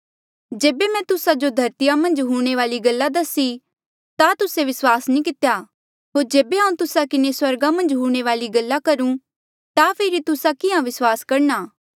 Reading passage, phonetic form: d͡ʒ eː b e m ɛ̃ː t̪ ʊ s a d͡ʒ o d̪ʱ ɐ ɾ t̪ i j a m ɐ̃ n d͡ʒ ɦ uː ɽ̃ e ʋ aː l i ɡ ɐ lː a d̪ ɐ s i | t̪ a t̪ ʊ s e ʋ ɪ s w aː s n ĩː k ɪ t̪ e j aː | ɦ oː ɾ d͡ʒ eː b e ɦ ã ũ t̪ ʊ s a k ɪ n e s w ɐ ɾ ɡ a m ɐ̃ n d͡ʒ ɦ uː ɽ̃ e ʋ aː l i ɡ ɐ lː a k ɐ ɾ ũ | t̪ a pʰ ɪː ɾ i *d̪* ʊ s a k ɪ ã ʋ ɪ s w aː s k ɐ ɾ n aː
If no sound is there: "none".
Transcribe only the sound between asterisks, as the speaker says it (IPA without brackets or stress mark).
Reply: t̪